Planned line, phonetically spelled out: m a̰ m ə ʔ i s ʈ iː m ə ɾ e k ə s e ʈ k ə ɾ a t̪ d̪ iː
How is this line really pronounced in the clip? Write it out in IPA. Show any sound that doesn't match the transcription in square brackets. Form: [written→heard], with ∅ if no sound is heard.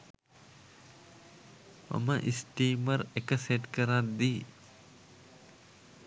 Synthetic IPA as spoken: m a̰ m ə ʔ i s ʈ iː m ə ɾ e k ə s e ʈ k ə ɾ a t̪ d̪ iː